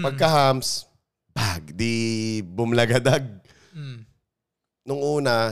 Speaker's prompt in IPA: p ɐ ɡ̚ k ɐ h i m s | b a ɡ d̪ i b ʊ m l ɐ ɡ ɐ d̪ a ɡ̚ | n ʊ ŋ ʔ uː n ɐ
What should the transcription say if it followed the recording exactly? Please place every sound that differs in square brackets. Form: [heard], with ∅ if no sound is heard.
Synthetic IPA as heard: p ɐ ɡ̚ k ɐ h [a] m s | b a ɡ d̪ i b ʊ m l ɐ ɡ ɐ d̪ a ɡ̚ | n ʊ ŋ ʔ uː n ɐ